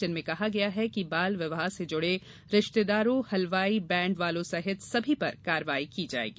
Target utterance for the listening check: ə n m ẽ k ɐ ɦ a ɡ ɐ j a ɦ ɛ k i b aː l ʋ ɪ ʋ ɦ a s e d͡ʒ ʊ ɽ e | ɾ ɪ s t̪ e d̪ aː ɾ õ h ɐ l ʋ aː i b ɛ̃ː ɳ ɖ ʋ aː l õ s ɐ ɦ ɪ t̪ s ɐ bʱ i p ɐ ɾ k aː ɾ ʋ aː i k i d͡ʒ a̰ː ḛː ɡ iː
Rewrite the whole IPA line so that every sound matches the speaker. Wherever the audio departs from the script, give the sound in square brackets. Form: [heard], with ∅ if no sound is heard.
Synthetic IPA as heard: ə n m ẽ k ɐ ɦ a ɡ ɐ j a ɦ ɛ k i b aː l ʋ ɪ ʋ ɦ a s e d͡ʒ ʊ ɽ e | ɾ ɪ [ʃ] t̪ e d̪ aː ɾ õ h ɐ l ʋ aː i b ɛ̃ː ɳ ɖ ʋ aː l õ s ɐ ɦ ɪ t̪ s ɐ bʱ i p ɐ ɾ k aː ɾ ʋ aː i k i d͡ʒ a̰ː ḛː ɡ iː